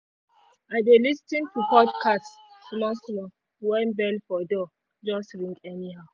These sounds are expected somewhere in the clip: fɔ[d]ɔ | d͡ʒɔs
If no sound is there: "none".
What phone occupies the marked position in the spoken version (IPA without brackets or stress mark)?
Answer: d